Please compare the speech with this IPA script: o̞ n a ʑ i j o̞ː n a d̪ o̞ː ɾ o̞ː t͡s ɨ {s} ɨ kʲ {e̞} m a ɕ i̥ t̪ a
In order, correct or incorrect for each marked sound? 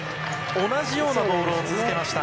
incorrect: z, correct

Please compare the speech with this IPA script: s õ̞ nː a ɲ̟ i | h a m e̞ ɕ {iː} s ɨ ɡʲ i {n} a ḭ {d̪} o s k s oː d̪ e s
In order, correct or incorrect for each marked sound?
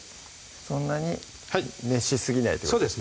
incorrect: i, correct, incorrect: t̪

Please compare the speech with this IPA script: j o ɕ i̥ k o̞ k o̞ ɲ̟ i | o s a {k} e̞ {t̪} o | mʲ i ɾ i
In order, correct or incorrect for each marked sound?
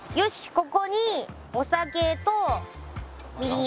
correct, correct

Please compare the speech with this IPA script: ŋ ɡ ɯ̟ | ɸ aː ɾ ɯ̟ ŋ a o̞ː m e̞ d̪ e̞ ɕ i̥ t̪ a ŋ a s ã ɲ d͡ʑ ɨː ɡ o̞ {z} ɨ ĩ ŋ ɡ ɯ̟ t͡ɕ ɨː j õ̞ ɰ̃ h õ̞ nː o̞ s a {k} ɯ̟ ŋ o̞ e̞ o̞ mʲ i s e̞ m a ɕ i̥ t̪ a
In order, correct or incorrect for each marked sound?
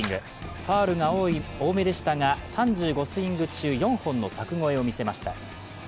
incorrect: s, correct

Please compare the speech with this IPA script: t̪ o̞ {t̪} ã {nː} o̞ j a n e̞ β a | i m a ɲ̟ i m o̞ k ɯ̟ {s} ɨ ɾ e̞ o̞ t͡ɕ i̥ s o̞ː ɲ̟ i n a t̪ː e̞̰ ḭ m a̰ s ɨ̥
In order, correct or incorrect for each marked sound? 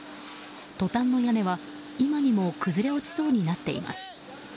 correct, correct, incorrect: z

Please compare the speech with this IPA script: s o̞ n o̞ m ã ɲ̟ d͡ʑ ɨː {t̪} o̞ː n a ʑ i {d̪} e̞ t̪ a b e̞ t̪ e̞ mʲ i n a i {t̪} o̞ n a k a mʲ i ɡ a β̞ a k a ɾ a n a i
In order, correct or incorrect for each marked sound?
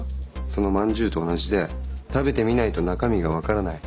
correct, correct, correct

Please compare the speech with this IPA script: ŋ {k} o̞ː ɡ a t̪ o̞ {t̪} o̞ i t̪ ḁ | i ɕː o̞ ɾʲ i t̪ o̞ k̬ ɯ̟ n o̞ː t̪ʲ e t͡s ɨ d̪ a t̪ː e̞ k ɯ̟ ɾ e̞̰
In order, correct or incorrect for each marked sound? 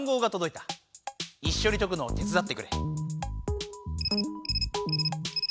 incorrect: ɡ, incorrect: d̪

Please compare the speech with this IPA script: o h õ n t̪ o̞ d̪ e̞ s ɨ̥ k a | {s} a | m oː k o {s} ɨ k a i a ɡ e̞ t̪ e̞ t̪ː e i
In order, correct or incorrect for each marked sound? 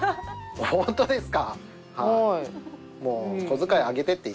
incorrect: h, incorrect: z

